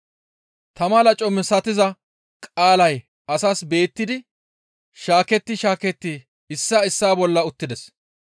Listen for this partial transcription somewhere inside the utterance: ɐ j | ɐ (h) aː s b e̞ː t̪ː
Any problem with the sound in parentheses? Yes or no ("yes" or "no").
yes